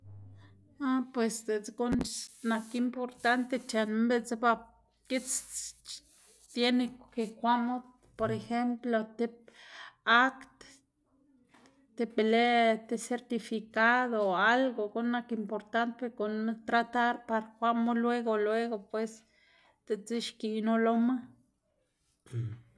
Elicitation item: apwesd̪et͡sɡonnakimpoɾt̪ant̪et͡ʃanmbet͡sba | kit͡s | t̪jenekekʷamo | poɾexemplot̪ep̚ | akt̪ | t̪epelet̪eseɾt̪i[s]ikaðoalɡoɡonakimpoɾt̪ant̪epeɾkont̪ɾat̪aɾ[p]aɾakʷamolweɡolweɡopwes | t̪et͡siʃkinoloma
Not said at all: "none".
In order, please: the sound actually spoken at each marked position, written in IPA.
f, p

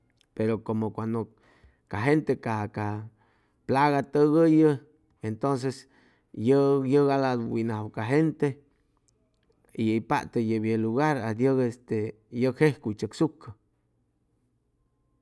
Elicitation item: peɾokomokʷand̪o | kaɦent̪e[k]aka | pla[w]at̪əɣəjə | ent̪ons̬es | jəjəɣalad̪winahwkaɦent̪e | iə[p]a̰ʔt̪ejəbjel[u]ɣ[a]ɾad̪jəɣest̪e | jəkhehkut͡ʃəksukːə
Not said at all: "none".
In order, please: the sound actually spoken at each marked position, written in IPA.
k, ɣ, p, u, a

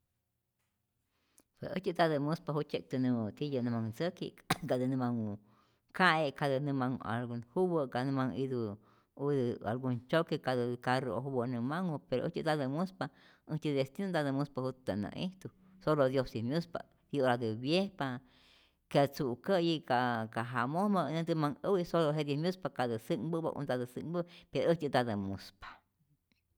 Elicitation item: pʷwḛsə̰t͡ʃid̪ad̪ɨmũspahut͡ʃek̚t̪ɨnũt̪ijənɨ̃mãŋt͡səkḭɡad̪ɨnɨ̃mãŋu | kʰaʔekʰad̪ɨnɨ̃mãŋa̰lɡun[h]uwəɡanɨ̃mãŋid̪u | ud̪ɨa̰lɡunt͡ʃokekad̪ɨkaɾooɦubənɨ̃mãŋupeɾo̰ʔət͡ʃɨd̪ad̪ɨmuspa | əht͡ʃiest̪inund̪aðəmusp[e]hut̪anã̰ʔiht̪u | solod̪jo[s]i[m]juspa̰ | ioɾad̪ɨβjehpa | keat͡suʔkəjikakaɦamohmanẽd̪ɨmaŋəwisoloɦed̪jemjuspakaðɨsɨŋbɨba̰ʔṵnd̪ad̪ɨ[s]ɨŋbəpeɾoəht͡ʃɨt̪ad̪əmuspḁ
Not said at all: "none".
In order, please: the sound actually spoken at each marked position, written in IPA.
h, a, s, m, s

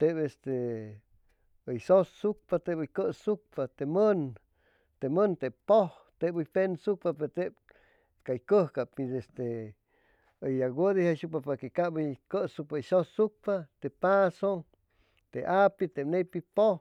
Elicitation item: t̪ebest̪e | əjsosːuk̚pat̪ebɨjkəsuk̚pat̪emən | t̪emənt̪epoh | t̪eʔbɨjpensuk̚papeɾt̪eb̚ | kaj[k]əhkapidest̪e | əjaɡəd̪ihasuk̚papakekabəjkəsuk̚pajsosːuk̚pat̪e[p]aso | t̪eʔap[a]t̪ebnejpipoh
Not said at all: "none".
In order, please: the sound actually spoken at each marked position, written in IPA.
k, p, i

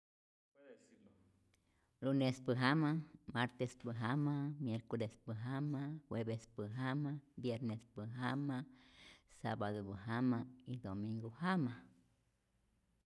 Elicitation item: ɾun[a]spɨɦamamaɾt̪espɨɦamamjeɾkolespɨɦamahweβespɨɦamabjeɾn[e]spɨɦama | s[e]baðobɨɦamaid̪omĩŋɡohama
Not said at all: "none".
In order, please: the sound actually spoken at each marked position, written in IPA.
e, e, a

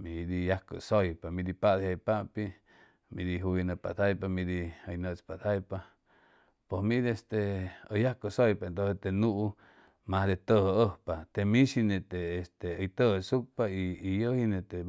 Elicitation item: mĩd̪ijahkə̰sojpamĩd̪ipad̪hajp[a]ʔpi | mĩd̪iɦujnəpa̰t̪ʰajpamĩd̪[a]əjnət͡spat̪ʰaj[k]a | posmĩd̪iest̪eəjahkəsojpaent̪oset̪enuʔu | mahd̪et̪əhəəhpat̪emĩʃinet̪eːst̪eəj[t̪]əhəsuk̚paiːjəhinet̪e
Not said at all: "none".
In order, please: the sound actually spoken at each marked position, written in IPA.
a, i, p, t̪

